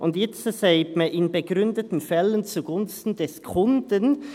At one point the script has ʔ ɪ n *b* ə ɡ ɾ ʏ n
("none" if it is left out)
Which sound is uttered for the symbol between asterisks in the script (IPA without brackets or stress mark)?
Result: b